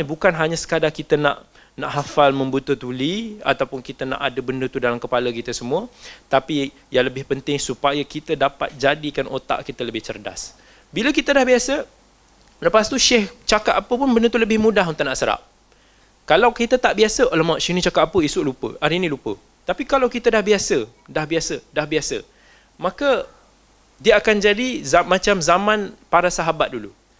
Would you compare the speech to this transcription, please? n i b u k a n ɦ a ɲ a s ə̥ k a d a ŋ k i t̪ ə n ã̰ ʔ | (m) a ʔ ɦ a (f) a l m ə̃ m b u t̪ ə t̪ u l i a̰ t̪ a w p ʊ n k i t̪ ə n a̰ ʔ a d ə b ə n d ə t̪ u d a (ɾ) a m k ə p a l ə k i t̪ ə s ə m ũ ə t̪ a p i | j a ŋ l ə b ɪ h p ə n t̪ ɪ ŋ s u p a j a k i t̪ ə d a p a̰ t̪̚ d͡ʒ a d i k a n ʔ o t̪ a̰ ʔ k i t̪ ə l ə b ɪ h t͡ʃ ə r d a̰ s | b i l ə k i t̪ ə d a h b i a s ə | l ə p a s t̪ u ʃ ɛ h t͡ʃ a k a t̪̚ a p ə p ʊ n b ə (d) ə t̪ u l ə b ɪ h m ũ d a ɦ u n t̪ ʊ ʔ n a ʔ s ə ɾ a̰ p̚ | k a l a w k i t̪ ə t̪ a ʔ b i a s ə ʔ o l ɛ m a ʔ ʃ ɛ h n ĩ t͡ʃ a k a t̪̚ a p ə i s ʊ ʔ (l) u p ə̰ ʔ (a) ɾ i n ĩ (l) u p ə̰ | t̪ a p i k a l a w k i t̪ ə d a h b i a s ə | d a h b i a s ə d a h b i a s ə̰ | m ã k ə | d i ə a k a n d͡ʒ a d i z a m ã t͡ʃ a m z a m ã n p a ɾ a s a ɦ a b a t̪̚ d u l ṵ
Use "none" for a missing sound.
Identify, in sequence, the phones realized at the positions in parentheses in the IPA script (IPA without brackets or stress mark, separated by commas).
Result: n, f, l, n, l, a, l